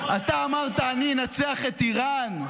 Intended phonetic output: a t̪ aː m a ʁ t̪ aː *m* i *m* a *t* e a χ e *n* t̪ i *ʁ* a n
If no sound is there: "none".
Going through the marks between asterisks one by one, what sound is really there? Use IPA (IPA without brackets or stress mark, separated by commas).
n, n, t͡s, none, ʁ